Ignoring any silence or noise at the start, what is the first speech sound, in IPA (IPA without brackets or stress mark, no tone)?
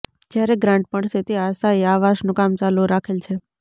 d͡ʒ